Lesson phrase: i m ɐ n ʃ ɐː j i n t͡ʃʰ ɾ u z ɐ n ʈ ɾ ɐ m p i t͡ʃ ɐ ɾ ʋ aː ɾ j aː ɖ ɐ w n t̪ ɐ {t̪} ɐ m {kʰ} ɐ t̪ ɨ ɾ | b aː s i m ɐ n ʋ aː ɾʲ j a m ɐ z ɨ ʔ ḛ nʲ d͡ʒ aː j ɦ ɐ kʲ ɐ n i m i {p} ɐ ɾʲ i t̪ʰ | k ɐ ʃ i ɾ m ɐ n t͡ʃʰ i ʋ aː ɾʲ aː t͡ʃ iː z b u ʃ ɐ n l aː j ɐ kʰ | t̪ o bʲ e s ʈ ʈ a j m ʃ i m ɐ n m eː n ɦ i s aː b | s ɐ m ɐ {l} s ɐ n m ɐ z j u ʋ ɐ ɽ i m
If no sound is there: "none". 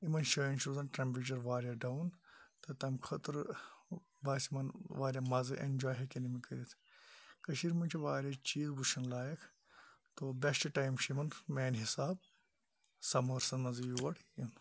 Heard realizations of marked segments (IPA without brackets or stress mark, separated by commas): t̪, kʰ, k, ɾ